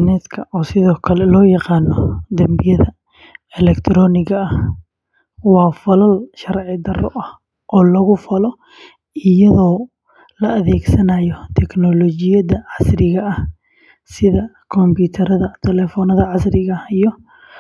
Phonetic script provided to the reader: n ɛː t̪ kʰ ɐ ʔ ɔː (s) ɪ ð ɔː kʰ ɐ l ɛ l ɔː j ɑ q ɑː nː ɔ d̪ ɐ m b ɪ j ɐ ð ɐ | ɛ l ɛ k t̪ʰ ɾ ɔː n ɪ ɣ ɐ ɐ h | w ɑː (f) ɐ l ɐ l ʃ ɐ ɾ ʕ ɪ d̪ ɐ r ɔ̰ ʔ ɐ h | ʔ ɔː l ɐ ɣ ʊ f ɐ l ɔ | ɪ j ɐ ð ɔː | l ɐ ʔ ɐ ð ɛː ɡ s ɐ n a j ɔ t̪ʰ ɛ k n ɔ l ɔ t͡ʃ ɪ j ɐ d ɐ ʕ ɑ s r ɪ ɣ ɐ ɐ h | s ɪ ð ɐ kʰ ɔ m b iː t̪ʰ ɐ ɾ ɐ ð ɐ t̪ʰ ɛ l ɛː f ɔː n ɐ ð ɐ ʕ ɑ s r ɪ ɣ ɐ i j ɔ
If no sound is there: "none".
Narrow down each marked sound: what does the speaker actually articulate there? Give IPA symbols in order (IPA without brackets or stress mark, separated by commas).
s, f